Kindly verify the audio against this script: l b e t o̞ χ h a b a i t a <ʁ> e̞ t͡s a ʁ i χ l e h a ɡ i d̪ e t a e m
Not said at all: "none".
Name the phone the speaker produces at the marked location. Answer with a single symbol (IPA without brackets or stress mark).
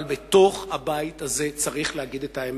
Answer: z